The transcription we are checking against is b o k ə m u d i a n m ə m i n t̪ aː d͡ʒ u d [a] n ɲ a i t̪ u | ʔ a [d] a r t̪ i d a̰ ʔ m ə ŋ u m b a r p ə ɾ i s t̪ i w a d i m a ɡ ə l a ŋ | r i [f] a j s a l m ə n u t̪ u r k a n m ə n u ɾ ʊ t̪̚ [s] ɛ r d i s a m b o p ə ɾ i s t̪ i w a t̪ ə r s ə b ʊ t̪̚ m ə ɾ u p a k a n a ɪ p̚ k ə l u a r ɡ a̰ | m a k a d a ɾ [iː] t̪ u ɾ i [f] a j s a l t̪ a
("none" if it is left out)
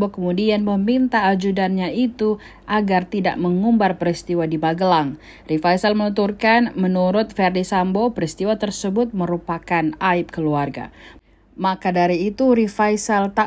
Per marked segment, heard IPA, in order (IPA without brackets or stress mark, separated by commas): a, ɡ, f, f, iː, f